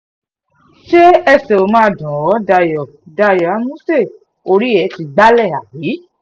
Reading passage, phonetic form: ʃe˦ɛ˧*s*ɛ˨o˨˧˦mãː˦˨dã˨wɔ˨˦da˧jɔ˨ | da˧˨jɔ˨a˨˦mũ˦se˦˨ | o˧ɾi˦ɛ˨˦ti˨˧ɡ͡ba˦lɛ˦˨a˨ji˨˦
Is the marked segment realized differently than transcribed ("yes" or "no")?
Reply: no